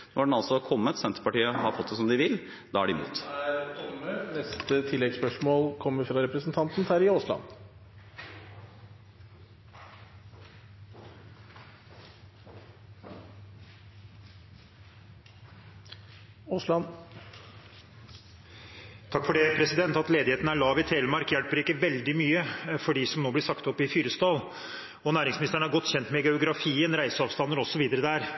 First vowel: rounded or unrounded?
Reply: rounded